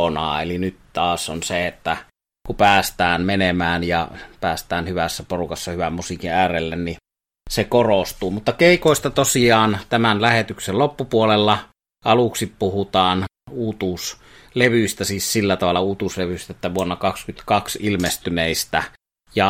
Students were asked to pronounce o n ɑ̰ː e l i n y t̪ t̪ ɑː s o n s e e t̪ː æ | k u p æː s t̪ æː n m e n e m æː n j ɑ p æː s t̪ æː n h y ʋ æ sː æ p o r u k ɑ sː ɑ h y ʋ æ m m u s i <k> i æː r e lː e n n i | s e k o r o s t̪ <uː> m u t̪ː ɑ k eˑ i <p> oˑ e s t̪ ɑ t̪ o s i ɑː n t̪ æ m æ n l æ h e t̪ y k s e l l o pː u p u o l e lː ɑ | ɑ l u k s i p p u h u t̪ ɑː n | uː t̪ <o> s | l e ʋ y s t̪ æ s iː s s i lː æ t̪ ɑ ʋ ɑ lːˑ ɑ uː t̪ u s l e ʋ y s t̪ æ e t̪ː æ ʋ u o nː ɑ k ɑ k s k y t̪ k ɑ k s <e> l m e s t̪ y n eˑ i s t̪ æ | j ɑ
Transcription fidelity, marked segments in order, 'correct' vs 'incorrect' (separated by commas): correct, correct, incorrect, incorrect, incorrect